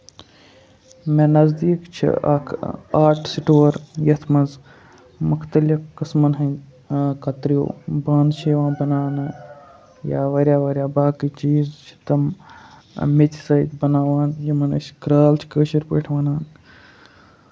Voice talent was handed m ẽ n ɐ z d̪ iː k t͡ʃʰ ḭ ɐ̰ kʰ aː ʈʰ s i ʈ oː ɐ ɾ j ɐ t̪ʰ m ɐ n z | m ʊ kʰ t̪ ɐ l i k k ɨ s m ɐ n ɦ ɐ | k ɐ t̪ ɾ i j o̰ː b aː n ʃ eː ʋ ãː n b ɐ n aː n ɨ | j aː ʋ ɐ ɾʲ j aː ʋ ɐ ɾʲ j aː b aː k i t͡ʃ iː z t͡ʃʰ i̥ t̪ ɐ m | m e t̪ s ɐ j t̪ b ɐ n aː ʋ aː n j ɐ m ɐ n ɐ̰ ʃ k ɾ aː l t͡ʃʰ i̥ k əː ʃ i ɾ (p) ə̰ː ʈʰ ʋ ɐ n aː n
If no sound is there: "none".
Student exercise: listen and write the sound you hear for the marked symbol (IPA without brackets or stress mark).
p